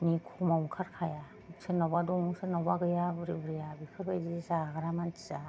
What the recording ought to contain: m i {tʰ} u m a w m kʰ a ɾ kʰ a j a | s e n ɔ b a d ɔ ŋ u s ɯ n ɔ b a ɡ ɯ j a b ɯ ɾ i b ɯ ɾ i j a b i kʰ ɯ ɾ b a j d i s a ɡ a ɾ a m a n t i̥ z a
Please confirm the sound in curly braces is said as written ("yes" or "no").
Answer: no